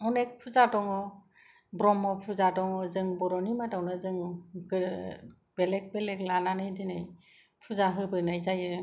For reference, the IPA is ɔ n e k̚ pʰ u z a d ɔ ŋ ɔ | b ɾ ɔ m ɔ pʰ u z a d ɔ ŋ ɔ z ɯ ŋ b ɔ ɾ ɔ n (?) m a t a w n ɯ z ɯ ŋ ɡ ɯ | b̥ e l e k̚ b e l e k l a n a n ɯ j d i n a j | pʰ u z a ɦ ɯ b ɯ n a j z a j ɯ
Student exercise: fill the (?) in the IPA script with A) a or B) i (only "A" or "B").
B